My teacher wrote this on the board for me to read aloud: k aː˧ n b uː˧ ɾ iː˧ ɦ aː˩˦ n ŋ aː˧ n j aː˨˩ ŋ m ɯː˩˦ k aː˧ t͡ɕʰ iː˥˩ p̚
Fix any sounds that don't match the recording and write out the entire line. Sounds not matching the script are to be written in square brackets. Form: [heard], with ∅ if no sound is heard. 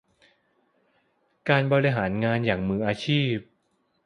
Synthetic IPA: k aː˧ n b [ɔː˧] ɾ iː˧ ɦ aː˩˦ n ŋ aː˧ n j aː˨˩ ŋ m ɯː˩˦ [ʔ] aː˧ t͡ɕʰ iː˥˩ p̚